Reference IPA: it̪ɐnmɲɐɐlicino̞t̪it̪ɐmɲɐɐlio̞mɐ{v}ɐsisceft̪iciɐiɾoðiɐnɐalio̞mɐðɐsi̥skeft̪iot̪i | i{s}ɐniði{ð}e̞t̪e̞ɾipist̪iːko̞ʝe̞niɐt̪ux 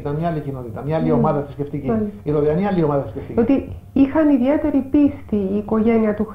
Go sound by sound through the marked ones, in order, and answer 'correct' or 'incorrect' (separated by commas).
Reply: incorrect, incorrect, incorrect